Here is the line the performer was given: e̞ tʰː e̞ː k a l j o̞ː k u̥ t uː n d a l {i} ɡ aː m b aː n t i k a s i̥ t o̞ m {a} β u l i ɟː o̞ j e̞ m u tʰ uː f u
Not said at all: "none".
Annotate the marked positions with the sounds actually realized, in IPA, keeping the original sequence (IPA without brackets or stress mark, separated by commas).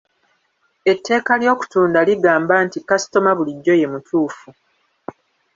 i, a